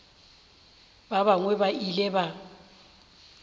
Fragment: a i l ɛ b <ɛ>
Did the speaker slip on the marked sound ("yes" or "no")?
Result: yes